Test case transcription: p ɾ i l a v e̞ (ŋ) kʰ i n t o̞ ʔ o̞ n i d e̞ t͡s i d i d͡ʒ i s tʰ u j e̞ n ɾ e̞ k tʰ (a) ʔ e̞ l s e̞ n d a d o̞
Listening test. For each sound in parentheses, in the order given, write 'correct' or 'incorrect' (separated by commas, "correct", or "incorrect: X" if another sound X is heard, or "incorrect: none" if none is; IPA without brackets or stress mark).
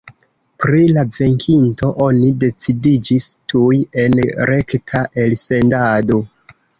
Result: correct, correct